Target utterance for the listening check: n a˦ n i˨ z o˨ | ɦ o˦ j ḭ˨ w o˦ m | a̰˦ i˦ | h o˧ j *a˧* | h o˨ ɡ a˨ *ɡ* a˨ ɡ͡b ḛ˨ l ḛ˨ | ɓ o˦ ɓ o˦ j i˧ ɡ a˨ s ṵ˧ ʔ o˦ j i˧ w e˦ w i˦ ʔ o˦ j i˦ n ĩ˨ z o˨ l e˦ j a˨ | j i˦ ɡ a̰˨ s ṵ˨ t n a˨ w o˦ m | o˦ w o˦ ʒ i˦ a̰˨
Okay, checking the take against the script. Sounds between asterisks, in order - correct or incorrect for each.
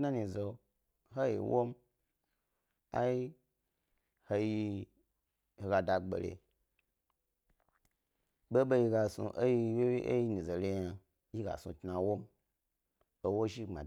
incorrect, incorrect

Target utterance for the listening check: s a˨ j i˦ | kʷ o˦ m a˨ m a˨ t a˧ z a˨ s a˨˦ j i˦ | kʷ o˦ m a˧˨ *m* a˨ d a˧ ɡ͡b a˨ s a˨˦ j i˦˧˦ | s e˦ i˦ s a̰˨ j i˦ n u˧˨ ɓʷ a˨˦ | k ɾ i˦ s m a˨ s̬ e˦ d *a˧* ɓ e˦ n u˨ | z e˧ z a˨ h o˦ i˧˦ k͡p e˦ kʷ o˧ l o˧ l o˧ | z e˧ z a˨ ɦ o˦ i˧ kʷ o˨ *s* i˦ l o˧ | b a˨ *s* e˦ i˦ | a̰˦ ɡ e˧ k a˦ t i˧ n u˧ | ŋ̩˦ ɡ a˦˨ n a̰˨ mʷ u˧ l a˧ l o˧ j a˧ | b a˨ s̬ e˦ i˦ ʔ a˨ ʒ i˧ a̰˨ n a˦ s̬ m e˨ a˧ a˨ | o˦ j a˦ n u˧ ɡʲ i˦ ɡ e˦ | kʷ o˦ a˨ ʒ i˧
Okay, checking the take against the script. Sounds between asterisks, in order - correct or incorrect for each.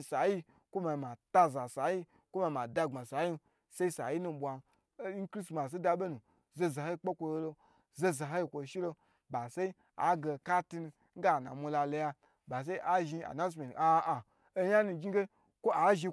correct, correct, incorrect, correct

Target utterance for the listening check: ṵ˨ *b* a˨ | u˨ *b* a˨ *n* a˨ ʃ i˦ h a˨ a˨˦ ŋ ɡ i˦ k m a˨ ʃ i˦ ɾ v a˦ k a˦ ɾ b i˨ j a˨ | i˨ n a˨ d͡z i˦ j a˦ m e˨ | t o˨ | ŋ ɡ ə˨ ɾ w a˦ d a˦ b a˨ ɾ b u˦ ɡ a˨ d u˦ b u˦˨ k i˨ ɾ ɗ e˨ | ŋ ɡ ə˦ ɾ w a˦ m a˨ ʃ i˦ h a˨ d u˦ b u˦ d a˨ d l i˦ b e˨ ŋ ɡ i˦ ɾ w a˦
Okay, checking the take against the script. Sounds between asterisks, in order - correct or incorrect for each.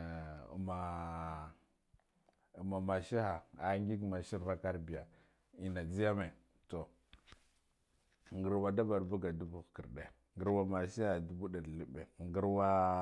incorrect, incorrect, incorrect

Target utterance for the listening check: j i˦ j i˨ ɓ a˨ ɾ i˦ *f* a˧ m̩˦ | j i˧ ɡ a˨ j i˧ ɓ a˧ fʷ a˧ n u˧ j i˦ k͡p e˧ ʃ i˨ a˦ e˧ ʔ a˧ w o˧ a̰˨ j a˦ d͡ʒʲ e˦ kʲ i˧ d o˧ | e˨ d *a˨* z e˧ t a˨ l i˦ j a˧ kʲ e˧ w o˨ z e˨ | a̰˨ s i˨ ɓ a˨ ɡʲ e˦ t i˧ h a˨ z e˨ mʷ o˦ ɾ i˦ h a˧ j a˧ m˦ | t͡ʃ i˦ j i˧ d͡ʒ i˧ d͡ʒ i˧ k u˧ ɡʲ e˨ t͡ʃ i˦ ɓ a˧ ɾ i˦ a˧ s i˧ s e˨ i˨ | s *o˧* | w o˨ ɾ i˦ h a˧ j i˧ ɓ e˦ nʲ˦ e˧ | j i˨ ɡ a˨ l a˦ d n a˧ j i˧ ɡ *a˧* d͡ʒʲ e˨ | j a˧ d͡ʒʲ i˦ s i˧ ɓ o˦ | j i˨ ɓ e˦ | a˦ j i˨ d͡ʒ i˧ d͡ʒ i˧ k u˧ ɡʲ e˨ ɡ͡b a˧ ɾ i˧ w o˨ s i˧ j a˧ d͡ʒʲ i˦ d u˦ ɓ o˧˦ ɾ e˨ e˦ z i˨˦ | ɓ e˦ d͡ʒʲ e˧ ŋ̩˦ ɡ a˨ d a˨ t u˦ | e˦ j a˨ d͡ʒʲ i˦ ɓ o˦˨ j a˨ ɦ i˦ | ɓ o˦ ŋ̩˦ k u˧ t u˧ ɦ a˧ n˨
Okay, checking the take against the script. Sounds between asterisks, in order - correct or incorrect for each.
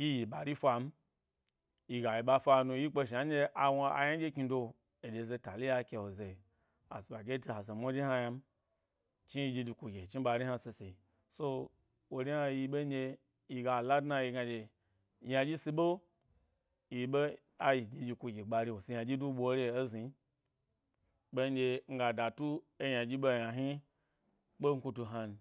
correct, incorrect, correct, correct

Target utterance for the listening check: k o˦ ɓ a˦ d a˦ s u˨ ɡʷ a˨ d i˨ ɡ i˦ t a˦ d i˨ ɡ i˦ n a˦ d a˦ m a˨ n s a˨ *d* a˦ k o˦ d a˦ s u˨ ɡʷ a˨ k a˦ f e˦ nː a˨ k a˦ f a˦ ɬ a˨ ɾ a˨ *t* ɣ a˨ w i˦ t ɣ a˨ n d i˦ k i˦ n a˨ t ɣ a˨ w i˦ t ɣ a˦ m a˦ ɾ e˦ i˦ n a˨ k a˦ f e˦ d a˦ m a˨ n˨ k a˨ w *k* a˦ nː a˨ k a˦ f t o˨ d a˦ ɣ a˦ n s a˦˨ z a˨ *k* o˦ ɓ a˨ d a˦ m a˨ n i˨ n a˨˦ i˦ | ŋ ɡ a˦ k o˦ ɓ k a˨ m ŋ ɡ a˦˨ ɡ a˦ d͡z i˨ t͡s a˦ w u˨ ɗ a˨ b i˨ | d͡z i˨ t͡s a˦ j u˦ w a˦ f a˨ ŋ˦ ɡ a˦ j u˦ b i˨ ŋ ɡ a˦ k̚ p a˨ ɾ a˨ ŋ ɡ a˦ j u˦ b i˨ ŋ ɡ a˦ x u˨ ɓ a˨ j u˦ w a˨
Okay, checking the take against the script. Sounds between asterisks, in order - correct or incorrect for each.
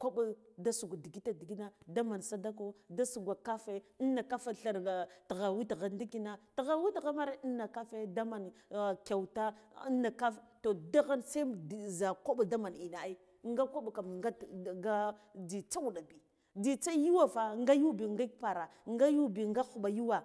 correct, correct, incorrect, correct

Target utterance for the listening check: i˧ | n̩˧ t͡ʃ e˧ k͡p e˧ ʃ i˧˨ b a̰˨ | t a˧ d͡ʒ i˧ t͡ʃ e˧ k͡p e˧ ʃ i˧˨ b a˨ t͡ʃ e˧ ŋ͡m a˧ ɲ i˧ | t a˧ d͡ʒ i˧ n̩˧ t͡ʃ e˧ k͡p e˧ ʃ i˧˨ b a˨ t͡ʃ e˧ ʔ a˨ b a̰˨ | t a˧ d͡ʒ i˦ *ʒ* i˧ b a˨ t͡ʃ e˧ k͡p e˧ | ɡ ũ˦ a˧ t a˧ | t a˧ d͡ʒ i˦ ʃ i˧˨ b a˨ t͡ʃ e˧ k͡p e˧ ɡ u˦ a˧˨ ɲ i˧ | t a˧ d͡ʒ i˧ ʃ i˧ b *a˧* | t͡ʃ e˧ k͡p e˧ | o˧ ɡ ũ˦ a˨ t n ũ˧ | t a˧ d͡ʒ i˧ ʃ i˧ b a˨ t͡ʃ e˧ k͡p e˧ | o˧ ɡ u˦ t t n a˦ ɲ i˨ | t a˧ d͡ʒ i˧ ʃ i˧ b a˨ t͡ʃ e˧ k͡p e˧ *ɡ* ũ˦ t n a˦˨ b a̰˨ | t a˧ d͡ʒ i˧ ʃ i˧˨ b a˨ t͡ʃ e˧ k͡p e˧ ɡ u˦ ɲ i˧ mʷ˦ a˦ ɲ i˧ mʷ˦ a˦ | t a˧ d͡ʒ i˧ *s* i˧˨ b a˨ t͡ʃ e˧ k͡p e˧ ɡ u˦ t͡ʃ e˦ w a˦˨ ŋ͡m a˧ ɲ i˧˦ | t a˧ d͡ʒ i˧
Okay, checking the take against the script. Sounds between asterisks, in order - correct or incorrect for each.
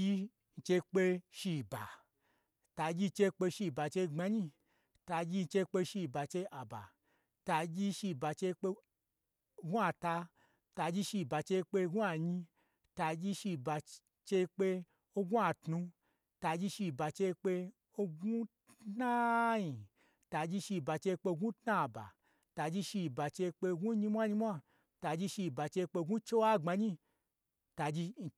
incorrect, correct, correct, incorrect

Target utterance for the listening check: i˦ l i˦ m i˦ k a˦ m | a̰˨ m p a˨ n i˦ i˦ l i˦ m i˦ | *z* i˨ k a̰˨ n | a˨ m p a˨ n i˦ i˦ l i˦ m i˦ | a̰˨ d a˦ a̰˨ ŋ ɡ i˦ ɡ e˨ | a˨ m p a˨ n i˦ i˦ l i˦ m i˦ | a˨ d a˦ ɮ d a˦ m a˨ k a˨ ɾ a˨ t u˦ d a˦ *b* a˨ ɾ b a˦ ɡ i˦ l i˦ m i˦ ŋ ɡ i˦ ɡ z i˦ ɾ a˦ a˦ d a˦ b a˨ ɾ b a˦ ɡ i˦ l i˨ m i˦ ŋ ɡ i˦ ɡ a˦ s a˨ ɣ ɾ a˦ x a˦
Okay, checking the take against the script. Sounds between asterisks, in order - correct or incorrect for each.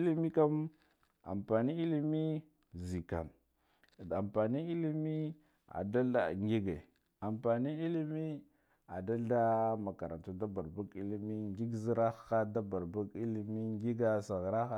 correct, correct

